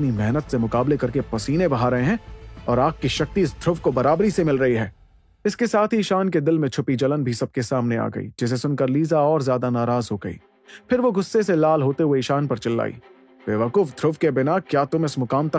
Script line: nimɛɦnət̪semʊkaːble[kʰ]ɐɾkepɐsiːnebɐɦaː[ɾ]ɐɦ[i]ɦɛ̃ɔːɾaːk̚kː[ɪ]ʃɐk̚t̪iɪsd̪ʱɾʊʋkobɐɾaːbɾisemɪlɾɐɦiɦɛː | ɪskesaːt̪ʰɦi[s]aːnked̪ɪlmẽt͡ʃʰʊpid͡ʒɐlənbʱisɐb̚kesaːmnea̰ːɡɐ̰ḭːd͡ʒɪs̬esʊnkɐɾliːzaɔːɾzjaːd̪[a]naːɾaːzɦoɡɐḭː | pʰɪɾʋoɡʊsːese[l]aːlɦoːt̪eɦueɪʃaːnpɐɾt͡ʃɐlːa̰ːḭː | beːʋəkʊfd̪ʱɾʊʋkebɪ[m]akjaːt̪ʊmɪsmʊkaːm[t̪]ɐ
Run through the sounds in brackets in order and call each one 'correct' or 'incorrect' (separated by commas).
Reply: incorrect, correct, incorrect, incorrect, incorrect, correct, correct, incorrect, correct